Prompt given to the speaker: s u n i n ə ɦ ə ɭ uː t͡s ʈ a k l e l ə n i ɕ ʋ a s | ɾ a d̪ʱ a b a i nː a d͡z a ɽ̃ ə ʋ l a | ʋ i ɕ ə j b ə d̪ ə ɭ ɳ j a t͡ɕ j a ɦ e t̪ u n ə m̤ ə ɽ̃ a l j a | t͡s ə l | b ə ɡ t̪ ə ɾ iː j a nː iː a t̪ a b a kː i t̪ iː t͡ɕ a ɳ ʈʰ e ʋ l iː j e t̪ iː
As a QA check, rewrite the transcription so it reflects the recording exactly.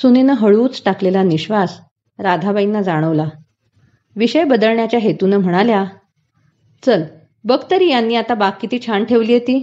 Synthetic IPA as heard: s u n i n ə ɦ ə ɭ uː t͡s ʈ a k l e l a n i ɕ ʋ a s | ɾ a d̪ʱ a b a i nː a d͡z a ɽ̃ ə ʋ l a | ʋ i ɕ ə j b ə d̪ ə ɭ ɳ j a t͡ɕ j a ɦ e t̪ u n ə m̤ ə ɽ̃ a l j a | t͡s ə l | b ə ɡ t̪ ə ɾ iː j a nː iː a t̪ a b a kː i t̪ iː t͡ɕʰ a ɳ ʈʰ e ʋ l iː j e t̪ iː